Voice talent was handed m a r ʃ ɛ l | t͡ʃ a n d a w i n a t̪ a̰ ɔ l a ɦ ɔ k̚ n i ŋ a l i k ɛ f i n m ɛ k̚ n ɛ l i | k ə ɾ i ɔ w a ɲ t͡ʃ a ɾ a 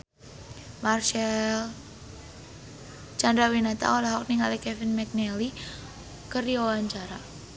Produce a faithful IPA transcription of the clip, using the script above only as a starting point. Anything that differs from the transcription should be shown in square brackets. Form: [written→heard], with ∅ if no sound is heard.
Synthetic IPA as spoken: m a r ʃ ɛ l | t͡ʃ a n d a w i n a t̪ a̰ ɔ l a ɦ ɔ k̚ n i ŋ a l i k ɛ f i n m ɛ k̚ n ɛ l i | k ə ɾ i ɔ w a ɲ t͡ʃ a ɾ a